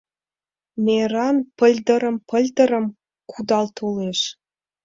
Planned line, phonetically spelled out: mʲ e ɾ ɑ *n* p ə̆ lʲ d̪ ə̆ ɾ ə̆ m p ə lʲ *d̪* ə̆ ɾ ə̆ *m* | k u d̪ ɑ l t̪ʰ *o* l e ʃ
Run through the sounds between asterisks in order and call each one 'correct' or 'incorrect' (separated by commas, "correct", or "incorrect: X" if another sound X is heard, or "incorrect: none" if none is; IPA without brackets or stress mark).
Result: correct, correct, correct, correct